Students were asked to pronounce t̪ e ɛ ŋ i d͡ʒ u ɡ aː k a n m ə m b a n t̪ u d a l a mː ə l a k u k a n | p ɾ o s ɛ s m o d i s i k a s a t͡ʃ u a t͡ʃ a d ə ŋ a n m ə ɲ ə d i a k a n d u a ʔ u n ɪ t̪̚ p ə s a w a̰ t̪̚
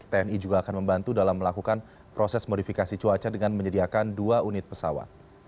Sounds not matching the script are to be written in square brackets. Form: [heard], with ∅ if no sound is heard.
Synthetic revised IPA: t̪ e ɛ [n] i d͡ʒ u ɡ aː k a n m ə m b a n t̪ u d a l a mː ə l a k u k a n | p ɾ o s ɛ s m o d i [f] i k a s [i] t͡ʃ u a t͡ʃ a d ə ŋ a n m ə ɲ ə d i a k a n d u a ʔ u n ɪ t̪̚ p ə s a w a̰ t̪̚

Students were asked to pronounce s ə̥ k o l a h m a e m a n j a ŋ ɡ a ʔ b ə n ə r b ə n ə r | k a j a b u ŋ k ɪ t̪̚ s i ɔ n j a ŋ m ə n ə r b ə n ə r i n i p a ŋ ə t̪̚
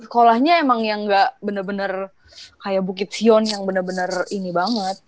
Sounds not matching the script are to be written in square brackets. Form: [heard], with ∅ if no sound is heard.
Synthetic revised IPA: s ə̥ k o l a h [ɲ] a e m a [ŋ] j a ŋ ɡ a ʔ b ə n ə r b ə n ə r | k a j a b u [∅] k ɪ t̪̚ s i ɔ n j a ŋ [b] ə n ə r b ə n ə r i n i [b] a ŋ ə t̪̚

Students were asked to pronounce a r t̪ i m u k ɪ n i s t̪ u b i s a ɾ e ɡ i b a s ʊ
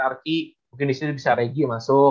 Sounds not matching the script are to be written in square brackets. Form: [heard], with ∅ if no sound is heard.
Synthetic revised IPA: a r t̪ i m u k ɪ n i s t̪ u b i s a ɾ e ɡ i [m] a s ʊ

